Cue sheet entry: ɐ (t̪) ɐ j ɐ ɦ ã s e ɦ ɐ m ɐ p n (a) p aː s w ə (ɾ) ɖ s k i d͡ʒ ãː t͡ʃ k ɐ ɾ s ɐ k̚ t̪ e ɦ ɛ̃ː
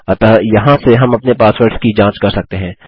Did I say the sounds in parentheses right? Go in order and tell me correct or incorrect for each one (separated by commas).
correct, incorrect, correct